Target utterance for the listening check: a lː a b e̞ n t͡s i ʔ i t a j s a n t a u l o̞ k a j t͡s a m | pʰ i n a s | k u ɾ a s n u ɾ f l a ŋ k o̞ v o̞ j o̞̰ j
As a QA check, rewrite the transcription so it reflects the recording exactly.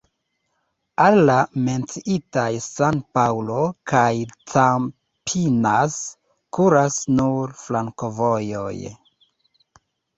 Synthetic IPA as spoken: a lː a m e̞ n t͡s i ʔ i t a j s a n p a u l o̞ k a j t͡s a m | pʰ i n a s | k u ɾ a s n u ɾ f l a ŋ k o̞ v o̞ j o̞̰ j